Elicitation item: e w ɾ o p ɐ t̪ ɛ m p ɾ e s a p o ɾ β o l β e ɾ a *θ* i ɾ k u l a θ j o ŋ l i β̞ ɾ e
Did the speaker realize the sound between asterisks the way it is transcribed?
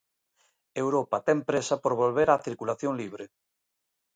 yes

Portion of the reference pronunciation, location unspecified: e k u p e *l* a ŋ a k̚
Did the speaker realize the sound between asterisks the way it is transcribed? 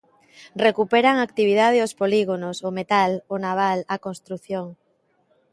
no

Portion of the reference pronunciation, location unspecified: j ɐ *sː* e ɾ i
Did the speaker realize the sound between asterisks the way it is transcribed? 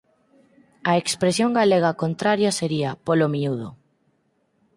no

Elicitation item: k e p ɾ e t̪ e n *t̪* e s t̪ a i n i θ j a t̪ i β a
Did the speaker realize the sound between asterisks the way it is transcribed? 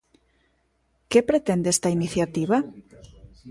no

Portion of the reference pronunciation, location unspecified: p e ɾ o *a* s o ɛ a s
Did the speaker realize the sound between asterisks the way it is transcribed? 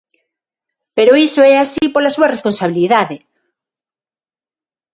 no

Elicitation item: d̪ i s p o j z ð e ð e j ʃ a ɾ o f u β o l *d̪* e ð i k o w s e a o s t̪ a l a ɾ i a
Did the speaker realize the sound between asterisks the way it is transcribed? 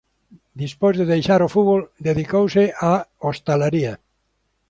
yes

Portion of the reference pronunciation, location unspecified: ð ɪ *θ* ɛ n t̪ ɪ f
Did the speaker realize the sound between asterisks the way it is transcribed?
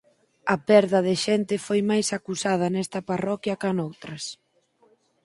no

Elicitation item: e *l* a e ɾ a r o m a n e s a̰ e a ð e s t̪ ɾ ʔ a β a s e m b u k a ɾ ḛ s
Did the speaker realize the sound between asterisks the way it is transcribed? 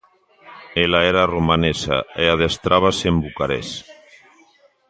yes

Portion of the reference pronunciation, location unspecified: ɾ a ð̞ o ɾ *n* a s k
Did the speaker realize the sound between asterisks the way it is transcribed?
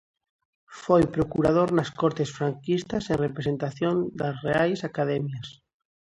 yes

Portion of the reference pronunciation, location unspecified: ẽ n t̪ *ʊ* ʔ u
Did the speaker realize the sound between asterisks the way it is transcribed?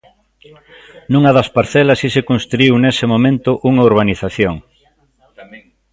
yes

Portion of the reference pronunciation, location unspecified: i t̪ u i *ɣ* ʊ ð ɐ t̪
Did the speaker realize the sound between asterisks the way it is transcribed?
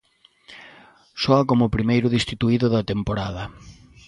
no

